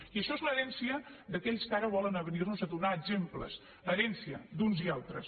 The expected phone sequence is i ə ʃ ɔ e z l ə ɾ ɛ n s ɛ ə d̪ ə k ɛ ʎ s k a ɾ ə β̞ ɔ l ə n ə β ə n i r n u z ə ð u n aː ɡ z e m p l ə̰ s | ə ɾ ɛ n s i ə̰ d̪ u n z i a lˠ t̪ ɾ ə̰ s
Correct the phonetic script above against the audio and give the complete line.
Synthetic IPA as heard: i ə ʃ ɔ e z l ə ɾ ɛ n s i ə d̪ ə k ɛ ʎ s k a ɾ ə β̞ ɔ l ə n ə β ə n i r n u z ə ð u n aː ɡ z e m p l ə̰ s | ə ɾ ɛ n s i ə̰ d̪ u n z i a lˠ t̪ ɾ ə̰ s